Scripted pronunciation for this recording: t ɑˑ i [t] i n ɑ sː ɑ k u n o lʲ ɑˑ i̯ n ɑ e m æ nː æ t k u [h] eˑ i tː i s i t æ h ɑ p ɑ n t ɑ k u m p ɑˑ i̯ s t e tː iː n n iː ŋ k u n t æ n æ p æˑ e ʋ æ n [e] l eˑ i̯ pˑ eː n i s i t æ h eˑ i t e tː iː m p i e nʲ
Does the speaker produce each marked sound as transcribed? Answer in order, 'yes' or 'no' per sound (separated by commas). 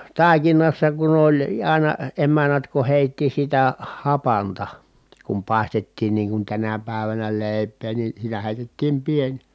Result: no, yes, no